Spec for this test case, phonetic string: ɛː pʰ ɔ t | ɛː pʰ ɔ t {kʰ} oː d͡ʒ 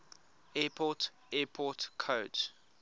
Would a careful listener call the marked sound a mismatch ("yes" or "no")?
no